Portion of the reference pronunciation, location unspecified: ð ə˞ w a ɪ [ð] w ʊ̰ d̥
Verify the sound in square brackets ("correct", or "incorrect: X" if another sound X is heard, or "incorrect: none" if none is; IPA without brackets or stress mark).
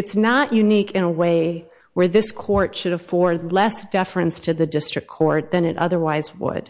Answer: incorrect: z